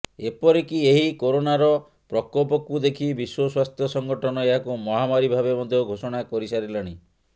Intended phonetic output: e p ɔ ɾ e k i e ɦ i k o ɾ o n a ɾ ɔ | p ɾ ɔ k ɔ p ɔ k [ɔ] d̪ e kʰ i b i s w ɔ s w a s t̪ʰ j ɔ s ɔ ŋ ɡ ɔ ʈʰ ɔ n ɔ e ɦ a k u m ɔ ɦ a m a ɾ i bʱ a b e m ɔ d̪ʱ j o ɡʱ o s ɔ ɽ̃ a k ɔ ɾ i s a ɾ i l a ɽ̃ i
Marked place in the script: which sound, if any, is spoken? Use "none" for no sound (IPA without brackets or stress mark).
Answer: u